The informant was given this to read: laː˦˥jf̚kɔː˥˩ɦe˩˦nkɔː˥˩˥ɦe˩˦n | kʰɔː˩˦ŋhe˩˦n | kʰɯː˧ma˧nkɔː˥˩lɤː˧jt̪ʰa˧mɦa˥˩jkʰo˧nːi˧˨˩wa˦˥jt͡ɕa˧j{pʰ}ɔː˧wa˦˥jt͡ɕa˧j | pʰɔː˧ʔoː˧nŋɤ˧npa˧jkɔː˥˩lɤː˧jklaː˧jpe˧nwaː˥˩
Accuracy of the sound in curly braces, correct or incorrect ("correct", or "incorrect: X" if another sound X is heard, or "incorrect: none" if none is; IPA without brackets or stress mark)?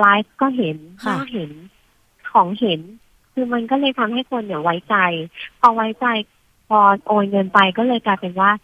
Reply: correct